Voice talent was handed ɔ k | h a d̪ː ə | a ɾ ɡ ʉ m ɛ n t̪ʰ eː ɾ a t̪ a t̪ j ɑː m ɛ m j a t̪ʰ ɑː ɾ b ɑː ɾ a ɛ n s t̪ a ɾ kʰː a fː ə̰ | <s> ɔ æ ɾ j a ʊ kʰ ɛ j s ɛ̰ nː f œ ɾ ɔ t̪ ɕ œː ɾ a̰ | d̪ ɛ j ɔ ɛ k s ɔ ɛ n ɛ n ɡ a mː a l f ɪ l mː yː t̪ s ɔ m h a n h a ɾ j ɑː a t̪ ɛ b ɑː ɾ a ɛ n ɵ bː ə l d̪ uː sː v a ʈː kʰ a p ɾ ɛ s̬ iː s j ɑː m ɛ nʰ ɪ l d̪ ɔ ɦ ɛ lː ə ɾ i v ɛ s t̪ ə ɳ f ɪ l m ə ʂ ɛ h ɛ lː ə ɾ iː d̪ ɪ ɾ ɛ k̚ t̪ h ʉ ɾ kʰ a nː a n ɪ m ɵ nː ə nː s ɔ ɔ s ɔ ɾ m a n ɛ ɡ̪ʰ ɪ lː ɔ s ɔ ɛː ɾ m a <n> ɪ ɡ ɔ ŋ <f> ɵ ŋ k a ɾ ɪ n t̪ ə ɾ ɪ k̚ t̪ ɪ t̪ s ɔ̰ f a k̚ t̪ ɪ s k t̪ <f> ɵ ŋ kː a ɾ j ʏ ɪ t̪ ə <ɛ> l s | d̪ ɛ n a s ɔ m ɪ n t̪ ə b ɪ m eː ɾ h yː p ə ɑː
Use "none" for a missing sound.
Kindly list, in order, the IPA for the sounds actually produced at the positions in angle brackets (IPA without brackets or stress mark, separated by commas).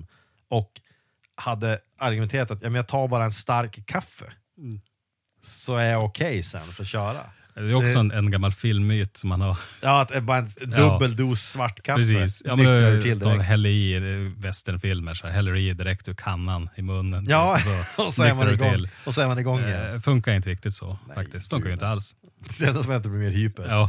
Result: s, n, f, f, a